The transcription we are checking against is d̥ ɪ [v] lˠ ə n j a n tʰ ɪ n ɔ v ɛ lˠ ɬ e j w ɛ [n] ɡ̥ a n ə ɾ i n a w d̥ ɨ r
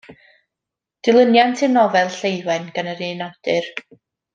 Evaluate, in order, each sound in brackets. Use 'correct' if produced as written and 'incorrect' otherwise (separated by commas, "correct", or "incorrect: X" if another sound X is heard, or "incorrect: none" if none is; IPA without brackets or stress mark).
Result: incorrect: none, correct